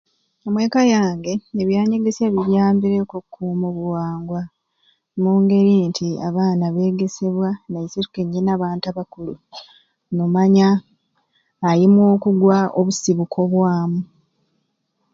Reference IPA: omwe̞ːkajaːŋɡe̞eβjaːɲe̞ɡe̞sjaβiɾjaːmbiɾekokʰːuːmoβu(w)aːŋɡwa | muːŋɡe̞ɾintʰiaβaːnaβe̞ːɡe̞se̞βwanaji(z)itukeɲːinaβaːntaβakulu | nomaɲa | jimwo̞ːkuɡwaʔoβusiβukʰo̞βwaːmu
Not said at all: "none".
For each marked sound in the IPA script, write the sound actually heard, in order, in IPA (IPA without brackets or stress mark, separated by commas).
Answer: w, s